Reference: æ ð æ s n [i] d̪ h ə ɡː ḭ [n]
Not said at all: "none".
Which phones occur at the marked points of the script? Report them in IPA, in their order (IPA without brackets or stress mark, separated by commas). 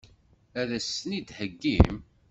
i, m